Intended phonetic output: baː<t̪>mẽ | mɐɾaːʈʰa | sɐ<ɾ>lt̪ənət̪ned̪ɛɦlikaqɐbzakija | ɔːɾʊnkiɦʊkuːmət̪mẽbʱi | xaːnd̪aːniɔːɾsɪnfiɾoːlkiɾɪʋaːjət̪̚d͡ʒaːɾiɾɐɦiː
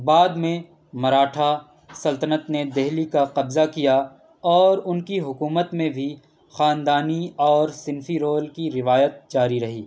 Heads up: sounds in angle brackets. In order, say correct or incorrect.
incorrect, incorrect

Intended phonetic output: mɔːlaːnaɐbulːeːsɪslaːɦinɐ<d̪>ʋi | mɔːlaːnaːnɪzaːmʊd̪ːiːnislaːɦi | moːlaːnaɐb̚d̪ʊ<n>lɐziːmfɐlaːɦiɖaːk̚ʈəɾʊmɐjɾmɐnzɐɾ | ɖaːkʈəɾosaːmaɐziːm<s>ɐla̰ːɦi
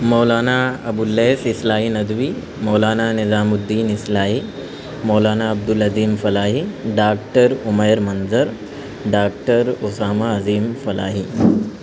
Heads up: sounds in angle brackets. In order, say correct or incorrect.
correct, incorrect, incorrect

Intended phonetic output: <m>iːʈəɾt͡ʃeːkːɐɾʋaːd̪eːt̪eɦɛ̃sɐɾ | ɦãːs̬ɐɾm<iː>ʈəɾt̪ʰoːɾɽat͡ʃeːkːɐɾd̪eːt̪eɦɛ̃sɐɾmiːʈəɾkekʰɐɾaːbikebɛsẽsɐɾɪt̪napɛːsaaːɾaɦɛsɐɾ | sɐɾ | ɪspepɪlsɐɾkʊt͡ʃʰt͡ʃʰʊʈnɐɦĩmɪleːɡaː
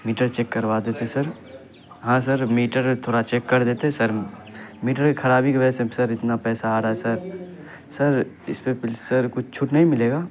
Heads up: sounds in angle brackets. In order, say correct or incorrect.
correct, correct

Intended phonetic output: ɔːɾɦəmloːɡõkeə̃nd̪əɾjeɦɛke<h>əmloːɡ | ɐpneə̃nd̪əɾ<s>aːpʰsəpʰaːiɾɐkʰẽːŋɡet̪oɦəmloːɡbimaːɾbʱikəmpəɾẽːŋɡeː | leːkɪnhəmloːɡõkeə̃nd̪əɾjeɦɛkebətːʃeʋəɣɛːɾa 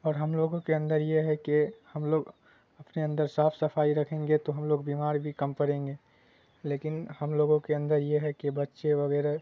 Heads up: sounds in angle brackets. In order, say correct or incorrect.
correct, correct

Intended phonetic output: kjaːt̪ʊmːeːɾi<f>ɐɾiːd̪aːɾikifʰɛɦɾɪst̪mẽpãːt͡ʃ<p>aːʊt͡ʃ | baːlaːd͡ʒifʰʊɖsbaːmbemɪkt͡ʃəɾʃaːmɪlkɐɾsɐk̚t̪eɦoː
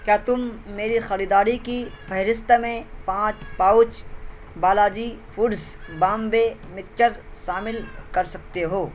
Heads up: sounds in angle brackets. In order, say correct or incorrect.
incorrect, correct

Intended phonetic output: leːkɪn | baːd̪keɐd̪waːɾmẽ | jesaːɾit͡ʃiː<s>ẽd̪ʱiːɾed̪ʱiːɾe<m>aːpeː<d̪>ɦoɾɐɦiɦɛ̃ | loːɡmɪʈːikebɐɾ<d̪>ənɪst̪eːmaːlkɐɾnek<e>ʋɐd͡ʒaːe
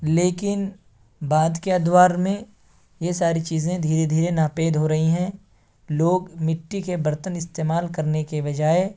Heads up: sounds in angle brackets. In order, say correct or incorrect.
incorrect, incorrect, correct, incorrect, correct

